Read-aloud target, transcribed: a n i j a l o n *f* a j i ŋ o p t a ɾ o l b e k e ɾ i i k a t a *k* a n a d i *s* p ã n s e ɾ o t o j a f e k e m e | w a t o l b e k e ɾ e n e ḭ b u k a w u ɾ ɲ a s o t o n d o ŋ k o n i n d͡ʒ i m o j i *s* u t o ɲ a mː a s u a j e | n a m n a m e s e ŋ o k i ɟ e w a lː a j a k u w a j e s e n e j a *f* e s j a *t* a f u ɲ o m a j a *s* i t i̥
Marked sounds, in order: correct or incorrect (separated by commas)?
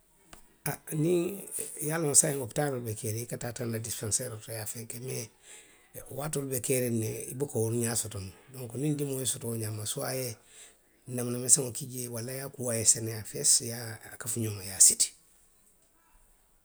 incorrect, incorrect, correct, correct, correct, incorrect, correct